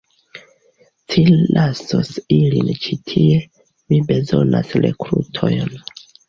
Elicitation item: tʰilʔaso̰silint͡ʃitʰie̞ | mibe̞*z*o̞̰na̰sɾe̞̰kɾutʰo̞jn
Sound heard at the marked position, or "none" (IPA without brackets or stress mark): z